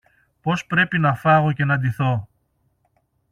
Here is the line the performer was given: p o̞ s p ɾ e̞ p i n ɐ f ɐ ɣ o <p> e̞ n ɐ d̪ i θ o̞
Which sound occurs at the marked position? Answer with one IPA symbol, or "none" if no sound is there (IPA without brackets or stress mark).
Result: c